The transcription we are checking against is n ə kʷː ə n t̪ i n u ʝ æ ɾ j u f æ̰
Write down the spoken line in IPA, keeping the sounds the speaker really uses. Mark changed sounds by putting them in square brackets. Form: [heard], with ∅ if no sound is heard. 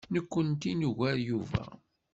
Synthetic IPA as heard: n ə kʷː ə n t̪ i n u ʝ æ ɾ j u [v] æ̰